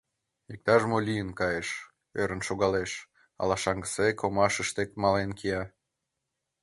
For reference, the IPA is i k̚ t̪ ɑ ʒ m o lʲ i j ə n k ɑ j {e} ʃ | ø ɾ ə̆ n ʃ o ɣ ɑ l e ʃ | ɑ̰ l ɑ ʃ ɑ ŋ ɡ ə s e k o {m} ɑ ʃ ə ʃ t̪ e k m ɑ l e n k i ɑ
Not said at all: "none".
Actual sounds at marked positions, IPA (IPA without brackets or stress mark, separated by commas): e, m